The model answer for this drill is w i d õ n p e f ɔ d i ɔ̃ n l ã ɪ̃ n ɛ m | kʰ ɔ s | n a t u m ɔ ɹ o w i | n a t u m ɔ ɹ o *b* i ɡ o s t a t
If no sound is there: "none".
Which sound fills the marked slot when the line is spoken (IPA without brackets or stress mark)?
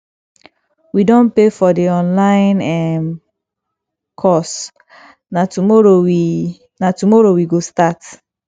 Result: w